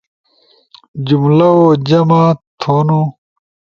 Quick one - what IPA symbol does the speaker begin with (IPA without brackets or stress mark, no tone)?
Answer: d͡ʑ